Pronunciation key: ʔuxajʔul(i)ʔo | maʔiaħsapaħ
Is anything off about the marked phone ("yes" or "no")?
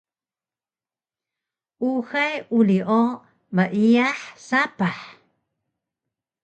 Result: no